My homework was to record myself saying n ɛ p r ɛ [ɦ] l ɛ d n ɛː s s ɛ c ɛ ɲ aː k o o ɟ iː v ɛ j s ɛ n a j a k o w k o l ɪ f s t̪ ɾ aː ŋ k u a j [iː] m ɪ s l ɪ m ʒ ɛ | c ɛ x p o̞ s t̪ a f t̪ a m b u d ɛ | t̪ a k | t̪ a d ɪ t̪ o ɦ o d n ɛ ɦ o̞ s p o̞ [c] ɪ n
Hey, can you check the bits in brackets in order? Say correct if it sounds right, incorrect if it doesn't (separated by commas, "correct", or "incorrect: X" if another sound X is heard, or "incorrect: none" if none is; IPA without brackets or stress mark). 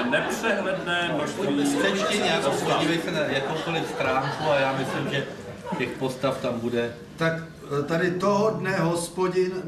correct, incorrect: aː, incorrect: ɟ